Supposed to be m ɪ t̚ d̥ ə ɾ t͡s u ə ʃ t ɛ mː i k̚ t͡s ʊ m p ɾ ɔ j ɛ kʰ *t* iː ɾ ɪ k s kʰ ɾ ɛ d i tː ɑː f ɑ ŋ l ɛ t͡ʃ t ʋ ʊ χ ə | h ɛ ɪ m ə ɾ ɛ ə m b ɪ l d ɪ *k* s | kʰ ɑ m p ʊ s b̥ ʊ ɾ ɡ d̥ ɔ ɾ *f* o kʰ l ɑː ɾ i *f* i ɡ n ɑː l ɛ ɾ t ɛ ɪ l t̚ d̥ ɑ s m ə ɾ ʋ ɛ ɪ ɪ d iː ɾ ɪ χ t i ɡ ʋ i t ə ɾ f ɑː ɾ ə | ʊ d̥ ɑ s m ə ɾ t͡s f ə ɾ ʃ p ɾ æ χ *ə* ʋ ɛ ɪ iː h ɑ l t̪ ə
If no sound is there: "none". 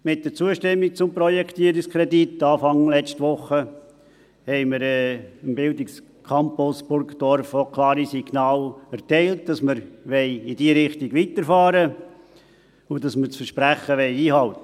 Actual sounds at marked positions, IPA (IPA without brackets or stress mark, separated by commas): t, k, f, s, ə